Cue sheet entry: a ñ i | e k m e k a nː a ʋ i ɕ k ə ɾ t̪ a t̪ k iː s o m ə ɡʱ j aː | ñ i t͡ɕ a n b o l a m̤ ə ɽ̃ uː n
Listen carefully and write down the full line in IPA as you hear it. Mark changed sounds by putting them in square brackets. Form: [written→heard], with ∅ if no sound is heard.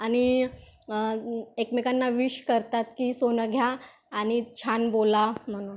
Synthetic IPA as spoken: a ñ i | e k m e k a nː a ʋ i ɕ k ə ɾ t̪ a t̪ k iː s o [m→n] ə ɡʱ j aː | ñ i [t͡ɕ→t͡ɕʰ] a n b o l a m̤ ə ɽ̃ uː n